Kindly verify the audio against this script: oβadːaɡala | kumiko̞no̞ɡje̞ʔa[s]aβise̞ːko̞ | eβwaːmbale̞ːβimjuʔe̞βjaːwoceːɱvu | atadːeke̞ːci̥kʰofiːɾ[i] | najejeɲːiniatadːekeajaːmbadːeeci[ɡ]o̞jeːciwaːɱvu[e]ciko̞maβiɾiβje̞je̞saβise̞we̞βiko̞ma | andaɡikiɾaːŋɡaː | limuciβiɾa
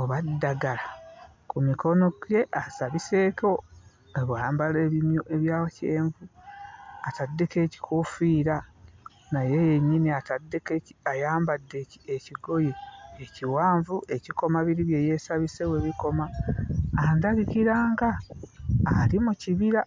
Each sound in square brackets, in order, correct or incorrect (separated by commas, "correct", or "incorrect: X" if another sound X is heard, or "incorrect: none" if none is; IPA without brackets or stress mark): correct, incorrect: a, correct, correct